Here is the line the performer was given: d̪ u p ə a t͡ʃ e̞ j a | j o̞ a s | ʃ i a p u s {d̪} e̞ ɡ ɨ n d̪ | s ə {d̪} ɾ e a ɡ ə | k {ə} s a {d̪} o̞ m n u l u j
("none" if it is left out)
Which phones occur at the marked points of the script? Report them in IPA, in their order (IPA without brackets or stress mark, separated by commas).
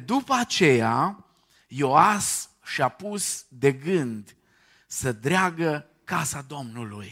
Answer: d̪, d̪, a, d̪